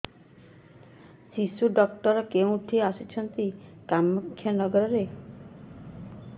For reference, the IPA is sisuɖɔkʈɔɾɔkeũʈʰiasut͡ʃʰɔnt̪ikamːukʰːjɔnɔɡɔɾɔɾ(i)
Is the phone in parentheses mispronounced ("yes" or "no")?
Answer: yes